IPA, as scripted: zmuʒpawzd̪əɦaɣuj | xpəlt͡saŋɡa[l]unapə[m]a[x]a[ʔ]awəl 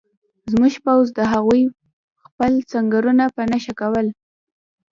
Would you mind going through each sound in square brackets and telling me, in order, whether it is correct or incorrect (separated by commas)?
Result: incorrect, incorrect, incorrect, incorrect